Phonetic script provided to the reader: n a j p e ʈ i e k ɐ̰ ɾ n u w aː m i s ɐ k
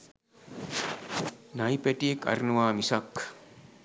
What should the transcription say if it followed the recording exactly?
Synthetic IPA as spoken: n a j p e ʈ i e k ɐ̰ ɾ n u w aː m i s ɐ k